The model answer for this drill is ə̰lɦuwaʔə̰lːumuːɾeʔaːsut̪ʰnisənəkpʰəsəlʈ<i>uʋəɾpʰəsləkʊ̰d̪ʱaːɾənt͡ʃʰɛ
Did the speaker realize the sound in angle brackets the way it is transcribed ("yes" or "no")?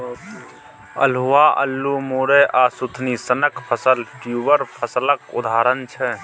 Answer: no